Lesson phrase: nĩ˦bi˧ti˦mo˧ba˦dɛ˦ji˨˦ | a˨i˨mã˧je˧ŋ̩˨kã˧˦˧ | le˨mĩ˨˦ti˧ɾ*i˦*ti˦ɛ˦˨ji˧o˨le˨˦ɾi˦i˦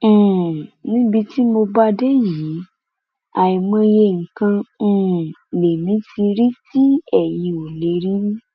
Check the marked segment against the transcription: correct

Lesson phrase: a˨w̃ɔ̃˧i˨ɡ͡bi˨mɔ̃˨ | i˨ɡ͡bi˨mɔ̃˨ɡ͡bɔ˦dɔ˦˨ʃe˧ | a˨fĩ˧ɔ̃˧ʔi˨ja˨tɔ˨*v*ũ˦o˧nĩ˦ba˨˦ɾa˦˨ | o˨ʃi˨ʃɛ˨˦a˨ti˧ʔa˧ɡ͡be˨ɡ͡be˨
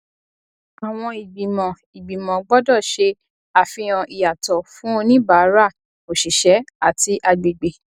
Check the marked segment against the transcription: incorrect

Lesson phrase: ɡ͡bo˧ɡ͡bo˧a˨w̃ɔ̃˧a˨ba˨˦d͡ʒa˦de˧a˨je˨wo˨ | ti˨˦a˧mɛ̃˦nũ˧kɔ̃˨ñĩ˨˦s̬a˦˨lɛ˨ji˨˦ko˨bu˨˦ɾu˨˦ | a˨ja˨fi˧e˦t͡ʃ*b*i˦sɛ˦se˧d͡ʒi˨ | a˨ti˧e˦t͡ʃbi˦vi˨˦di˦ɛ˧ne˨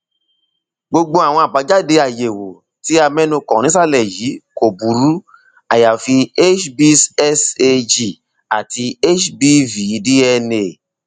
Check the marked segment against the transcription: correct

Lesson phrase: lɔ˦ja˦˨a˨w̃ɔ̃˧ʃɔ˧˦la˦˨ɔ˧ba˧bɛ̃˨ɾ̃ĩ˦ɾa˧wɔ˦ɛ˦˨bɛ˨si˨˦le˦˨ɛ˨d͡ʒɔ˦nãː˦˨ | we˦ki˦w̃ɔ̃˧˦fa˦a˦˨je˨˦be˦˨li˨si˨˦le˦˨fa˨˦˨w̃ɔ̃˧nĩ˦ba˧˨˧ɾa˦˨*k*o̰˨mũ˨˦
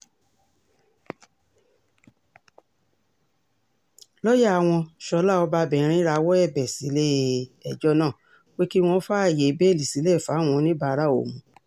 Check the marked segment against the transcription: incorrect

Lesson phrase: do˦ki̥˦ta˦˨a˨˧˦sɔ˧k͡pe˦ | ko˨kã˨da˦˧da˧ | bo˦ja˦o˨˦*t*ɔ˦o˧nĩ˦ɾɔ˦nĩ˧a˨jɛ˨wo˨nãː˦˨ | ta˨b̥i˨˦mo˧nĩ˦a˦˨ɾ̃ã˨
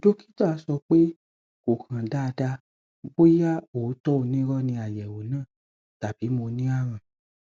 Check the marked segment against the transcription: correct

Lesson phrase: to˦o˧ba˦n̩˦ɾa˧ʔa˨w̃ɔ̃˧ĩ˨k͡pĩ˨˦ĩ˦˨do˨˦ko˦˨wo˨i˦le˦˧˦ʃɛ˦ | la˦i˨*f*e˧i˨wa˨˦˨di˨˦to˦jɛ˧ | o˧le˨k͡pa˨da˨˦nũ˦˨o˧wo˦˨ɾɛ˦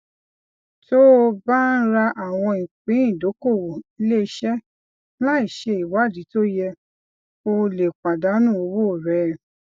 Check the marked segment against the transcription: incorrect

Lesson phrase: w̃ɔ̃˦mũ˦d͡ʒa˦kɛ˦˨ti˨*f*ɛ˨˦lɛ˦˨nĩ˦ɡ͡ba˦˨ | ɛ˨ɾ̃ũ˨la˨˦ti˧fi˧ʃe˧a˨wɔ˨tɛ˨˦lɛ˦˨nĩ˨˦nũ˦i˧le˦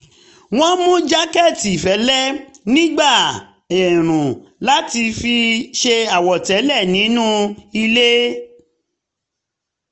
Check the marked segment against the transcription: correct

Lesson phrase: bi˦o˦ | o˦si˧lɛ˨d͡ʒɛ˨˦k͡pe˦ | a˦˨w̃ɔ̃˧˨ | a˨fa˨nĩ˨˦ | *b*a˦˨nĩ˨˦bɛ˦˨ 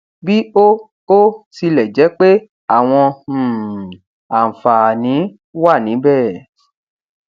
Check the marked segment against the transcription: incorrect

